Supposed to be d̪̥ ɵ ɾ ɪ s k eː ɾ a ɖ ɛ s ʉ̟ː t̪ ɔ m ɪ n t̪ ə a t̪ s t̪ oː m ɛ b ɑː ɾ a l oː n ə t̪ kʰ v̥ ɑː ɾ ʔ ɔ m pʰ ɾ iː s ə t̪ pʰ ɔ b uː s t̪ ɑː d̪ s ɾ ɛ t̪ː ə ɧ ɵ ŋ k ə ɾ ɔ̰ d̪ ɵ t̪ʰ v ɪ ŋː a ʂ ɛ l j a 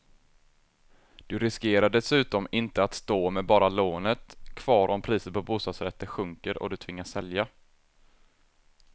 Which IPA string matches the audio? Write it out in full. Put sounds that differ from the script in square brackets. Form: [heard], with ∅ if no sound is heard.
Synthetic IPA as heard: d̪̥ ɵ ɾ ɪ s k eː ɾ a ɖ ɛ s ʉ̟ː t̪ ɔ m ɪ n t̪ ə a t̪ s t̪ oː m ɛ b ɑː ɾ a l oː n ə t̪ kʰ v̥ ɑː ɾ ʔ ɔ m pʰ ɾ iː s ə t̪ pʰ ɔ b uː s t̪ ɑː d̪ s ɾ ɛ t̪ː ə ɧ ɵ ŋ k ə ɾ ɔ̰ d̪ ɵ t̪ʰ v ɪ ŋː a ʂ ɛ l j a